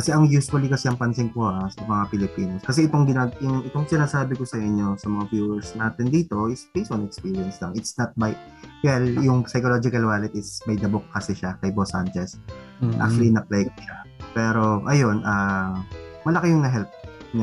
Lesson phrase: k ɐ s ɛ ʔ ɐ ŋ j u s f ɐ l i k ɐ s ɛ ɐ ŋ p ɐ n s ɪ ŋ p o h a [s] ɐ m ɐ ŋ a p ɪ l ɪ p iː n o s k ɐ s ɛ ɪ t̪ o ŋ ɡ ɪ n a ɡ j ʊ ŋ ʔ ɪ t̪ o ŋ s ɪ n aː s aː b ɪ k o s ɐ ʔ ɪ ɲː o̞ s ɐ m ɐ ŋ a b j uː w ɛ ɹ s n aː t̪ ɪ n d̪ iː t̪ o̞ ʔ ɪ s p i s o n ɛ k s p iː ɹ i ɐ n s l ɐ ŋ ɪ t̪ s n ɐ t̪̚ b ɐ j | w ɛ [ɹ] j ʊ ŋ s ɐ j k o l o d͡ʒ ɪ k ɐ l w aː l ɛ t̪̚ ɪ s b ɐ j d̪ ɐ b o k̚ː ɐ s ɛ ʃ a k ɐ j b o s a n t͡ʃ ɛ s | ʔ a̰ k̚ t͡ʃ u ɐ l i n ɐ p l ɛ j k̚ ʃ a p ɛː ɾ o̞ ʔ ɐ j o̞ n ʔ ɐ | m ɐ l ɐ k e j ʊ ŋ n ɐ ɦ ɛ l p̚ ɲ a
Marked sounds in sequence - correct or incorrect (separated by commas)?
correct, incorrect